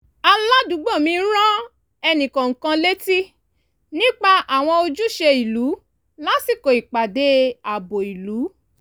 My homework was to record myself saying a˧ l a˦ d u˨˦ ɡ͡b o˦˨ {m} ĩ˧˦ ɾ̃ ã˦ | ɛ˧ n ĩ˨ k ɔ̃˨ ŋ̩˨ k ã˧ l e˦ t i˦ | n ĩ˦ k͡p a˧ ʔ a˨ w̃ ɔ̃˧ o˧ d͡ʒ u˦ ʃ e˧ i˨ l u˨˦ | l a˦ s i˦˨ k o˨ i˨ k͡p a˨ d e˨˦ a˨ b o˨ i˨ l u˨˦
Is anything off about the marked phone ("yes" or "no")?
no